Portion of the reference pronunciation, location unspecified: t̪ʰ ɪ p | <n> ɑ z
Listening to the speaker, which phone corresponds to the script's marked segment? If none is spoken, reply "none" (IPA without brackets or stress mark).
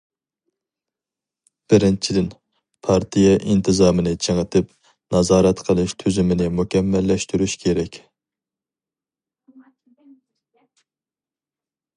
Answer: n